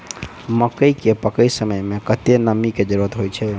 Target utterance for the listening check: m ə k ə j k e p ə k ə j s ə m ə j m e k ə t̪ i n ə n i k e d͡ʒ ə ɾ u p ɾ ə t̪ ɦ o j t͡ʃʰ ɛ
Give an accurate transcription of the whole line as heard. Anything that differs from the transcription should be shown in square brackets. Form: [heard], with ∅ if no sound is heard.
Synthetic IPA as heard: m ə k ə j k e p ə k ə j s ə m ə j m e k ə t̪ [e] n ə [m] i k e d͡ʒ ə ɾ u [∅] ɾ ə t̪ ɦ o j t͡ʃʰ ɛ